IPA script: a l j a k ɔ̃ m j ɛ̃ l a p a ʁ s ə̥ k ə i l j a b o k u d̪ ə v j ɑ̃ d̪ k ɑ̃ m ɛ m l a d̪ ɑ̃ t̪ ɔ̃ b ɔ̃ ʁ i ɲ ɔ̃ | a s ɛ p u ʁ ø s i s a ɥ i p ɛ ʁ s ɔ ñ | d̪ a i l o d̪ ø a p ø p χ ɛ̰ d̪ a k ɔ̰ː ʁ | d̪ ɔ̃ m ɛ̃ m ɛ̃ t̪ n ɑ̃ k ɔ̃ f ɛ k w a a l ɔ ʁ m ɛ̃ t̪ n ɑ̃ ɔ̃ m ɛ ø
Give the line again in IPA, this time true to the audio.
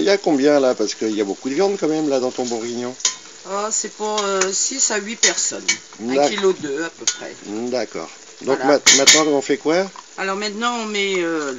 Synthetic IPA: i l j a k ɔ̃ b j ɛ̃ l a p a ʁ s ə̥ k ə i l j a b o k u d̪ ə v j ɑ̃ d̪ k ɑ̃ m ɛ m l a d̪ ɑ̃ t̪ ɔ̃ b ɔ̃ ʁ i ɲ ɔ̃ | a s ɛ p u ʁ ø s i s a ɥ i p ɛ ʁ s ɔ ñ | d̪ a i l o d̪ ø a p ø p χ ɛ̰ d̪ a k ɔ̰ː ʁ | d̪ ɔ̃ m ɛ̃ m ɛ̃ t̪ n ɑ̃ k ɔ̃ f ɛ k w a a l ɔ ʁ m ɛ̃ t̪ n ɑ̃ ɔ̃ m ɛ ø

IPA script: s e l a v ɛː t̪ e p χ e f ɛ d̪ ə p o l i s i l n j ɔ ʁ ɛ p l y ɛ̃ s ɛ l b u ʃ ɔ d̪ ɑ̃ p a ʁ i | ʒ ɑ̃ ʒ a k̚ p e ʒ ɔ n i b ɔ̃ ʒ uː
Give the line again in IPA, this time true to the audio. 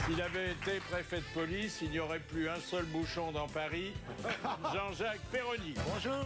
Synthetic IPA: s i l a v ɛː t̪ e p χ e f ɛ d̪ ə p ɔ l i s i l n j ɔ ʁ ɛ p l y ɛ̃ s œ l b u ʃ ɔ̃ d̪ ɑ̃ p a ʁ i | ʒ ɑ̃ ʒ a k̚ p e ʁ ɔ n i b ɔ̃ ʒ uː

